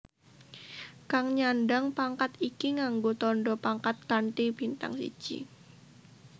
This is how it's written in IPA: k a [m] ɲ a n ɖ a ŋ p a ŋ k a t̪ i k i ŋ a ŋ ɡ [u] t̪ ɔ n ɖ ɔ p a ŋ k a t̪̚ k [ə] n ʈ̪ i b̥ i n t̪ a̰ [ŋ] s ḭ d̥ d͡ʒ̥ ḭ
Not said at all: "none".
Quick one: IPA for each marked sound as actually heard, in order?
ŋ, o, a, ŋ

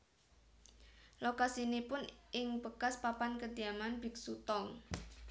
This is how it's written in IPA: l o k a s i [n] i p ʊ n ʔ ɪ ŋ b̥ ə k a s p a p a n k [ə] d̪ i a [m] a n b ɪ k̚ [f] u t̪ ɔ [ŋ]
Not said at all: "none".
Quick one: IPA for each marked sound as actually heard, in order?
n, ə, m, s, ŋ

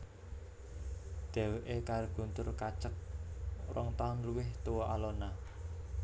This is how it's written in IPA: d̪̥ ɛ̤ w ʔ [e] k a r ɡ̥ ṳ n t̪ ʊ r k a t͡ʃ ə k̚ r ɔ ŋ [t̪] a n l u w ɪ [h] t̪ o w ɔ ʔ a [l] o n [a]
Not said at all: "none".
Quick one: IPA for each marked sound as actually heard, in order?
e, t̪, h, l, a

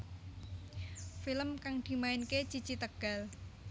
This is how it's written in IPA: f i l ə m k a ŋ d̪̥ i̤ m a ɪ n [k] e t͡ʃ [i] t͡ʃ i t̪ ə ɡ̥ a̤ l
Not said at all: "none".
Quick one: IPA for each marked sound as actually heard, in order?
k, i

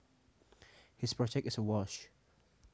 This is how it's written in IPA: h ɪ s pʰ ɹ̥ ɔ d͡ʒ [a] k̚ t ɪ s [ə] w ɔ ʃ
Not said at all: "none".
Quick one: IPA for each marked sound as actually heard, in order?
ɛ, ə

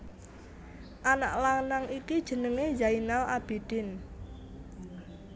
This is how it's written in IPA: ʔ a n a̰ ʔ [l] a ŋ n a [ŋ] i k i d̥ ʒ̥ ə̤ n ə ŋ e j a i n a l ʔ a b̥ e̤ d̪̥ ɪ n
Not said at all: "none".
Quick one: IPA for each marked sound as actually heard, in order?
l, ŋ

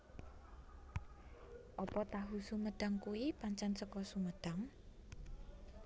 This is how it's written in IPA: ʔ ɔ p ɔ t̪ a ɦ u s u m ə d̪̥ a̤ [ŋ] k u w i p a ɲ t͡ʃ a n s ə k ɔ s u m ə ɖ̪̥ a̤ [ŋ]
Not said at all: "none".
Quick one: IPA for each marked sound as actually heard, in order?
ŋ, ŋ

